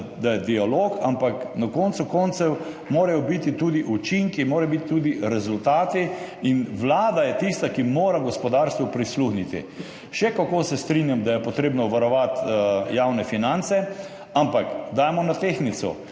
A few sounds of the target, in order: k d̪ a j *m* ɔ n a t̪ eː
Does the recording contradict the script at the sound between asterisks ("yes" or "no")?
no